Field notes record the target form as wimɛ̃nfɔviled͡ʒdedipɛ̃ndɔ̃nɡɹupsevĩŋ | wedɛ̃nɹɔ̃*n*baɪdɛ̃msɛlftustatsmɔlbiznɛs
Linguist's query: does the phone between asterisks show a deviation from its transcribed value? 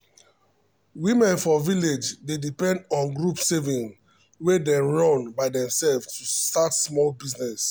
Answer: no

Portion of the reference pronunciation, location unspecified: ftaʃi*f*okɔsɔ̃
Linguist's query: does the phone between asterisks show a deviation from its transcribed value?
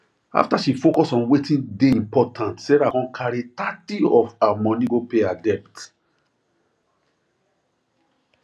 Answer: no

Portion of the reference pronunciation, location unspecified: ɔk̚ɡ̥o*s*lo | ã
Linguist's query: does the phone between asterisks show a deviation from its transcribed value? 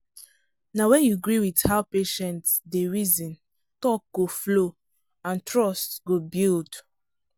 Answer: yes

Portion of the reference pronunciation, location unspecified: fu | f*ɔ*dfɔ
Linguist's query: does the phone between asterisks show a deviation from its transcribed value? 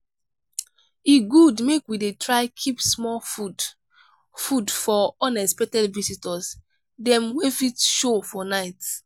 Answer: yes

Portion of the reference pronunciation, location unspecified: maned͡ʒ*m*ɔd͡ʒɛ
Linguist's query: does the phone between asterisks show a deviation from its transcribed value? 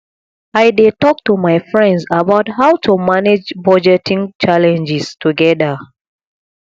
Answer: yes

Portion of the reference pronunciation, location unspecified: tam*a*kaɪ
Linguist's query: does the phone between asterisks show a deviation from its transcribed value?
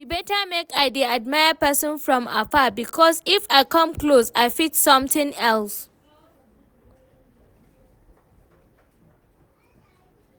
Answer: yes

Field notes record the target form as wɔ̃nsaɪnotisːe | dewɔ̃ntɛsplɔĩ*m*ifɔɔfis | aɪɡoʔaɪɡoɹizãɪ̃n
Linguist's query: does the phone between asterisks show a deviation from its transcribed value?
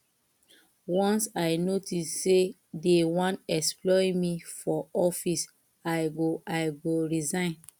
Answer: no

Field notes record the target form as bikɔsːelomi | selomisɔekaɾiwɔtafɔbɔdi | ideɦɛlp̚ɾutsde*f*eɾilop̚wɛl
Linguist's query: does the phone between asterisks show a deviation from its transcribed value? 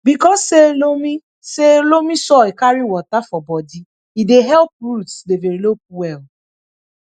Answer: yes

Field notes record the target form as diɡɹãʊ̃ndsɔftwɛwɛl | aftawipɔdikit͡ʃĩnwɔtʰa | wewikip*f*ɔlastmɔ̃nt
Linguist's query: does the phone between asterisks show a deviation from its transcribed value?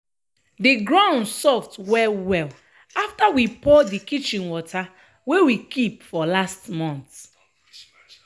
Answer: no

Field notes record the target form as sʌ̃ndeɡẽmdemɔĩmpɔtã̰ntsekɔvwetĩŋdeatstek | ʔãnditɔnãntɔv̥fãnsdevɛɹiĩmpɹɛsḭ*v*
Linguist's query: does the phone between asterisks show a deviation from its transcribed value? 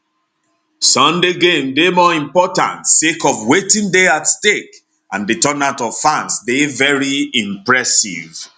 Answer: no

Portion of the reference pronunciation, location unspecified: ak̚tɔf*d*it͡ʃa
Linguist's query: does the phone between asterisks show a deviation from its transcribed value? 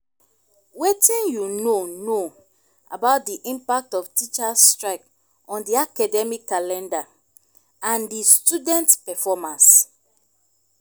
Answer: yes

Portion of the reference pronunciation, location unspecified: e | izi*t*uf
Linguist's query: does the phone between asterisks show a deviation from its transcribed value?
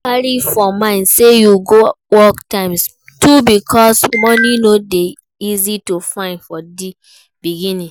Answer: no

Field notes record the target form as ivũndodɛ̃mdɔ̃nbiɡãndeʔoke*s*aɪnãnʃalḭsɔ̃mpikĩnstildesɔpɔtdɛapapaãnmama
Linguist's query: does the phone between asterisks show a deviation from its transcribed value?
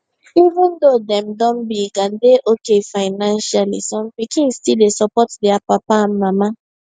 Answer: yes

